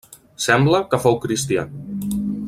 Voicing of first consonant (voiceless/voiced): voiceless